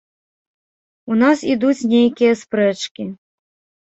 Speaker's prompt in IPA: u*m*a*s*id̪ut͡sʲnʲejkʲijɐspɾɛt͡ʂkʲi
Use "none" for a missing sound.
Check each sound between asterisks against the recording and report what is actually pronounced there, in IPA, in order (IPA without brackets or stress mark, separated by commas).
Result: n, s